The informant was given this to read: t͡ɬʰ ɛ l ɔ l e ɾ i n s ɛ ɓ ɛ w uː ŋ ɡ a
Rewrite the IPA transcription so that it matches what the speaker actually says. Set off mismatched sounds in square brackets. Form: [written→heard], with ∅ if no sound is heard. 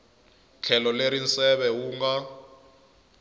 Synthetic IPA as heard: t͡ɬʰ ɛ l ɔ l e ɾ i n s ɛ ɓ ɛ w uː ŋ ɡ a